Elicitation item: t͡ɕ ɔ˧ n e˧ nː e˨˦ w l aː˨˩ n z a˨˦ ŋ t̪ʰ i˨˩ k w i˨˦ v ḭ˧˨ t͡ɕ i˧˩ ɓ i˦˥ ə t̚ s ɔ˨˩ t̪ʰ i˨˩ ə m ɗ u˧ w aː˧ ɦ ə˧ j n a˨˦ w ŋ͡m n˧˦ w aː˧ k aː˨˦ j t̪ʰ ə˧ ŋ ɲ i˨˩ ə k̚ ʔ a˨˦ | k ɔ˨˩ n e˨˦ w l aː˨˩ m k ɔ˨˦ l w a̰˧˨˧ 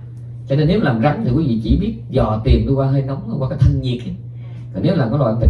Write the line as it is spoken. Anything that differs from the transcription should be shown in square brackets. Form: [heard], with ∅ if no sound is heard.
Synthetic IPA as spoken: t͡ɕ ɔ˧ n e˧ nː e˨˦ w l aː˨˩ [m] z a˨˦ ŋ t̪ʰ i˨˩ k w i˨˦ v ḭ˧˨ t͡ɕ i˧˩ ɓ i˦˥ ə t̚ [z] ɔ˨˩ [t̪] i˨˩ ə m ɗ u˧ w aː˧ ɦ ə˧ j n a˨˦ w ŋ͡m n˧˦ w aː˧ k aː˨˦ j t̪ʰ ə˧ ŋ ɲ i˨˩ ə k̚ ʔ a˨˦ | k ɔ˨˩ n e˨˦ w l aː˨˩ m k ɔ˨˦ l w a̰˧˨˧

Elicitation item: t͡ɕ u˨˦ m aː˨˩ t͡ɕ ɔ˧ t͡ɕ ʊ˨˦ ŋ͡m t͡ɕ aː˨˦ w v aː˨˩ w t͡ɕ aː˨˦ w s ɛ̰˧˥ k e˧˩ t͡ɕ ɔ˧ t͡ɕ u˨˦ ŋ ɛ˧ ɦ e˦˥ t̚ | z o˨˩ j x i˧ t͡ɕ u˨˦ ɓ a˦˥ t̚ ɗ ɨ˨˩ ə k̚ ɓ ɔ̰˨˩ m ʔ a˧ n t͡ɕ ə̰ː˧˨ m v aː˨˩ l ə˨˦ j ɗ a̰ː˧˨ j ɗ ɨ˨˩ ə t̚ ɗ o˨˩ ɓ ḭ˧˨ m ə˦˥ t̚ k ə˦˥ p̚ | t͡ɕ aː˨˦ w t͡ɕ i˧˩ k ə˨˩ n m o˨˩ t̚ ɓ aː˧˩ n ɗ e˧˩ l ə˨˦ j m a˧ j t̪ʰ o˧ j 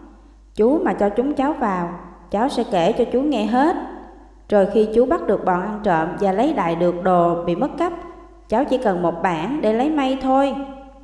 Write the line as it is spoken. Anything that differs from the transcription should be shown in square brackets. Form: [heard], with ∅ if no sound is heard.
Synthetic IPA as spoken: t͡ɕ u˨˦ m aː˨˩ t͡ɕ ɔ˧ t͡ɕ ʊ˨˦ ŋ͡m t͡ɕ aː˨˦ w v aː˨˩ w t͡ɕ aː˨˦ w s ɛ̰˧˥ k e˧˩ t͡ɕ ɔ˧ t͡ɕ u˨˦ ŋ ɛ˧ ɦ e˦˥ t̚ | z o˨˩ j x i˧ t͡ɕ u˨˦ ɓ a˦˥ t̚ ɗ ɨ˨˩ ə k̚ ɓ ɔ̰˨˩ [n] ʔ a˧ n t͡ɕ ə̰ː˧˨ m v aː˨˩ l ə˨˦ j ɗ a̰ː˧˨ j ɗ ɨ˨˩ ə [k̚] ɗ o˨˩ ɓ ḭ˧˨ m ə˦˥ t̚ k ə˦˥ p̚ | t͡ɕ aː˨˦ w t͡ɕ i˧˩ k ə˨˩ n m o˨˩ t̚ ɓ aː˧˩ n ɗ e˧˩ l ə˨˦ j m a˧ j t̪ʰ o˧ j

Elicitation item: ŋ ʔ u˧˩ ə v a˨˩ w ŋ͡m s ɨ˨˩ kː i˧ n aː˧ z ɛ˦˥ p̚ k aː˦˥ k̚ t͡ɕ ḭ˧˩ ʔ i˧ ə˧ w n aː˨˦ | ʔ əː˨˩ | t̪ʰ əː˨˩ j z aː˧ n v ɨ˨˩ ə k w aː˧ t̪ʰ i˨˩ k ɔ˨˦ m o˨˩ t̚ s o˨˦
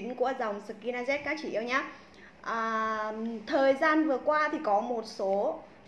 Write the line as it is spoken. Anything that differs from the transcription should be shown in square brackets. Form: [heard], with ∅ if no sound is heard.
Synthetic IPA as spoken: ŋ [k] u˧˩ ə [z] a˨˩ w ŋ͡m s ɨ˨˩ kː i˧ n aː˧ z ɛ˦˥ [t̚] k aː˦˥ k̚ t͡ɕ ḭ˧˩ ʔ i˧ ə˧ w [ɲ] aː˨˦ | ʔ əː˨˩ | t̪ʰ əː˨˩ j z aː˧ n v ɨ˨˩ ə k w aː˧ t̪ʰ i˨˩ k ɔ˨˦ m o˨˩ t̚ s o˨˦

